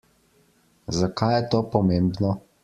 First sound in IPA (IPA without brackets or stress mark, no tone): z